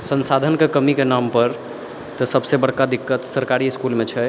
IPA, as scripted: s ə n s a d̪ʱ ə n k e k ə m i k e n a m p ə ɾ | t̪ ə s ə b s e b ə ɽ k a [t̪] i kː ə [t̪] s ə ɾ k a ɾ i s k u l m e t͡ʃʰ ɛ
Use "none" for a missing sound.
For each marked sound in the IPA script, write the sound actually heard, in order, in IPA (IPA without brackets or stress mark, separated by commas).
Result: d̪, t̪